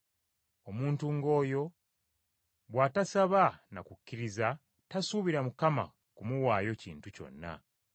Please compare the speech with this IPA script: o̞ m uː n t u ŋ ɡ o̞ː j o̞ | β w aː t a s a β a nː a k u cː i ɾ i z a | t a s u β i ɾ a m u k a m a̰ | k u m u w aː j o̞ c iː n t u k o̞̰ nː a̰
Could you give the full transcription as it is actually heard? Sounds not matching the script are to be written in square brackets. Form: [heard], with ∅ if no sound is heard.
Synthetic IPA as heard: o̞ m uː n t u ŋ ɡ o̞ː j o̞ | β w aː t a s a β a [n] a k u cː i ɾ i z a | t a s u β i ɾ a m u k a m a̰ | k u m u w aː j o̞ c iː n t u [c] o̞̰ nː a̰